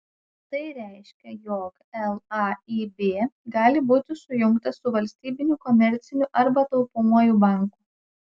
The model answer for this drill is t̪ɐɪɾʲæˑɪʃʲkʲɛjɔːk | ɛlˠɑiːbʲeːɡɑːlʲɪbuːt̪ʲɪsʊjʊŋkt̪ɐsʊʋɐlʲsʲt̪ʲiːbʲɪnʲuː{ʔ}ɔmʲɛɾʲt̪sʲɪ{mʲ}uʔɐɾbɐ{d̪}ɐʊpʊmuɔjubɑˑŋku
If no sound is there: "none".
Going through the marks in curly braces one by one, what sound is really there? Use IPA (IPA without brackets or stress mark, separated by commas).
k, nʲ, t̪